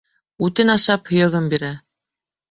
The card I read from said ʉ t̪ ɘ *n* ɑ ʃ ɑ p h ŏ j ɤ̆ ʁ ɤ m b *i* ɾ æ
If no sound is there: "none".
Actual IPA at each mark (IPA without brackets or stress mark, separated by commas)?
n, i